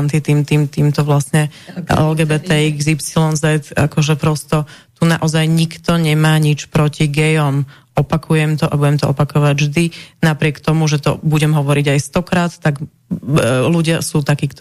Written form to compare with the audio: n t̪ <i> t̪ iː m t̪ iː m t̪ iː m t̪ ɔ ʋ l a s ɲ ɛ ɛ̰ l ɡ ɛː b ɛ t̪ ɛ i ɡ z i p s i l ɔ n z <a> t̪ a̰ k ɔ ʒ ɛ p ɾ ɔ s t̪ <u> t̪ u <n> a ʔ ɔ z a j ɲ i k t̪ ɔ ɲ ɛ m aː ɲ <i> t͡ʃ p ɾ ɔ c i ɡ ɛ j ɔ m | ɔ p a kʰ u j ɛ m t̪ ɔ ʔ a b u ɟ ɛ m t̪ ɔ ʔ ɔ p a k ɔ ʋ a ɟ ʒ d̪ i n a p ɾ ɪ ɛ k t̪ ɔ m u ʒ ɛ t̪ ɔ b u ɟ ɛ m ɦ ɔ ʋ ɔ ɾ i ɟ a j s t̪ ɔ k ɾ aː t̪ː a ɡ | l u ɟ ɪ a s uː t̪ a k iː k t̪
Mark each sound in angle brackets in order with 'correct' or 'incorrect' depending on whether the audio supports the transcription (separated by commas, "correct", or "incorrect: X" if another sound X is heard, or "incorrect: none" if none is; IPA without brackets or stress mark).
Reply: correct, incorrect: ɛ, incorrect: ɔ, correct, correct